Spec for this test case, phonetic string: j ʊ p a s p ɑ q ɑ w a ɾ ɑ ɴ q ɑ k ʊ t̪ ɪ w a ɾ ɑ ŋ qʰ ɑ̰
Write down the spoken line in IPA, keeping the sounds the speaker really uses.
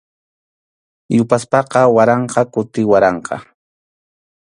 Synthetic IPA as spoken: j ʊ p a s p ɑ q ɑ w a ɾ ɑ ɴ q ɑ k ʊ t̪ ɪ w a ɾ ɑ ɴ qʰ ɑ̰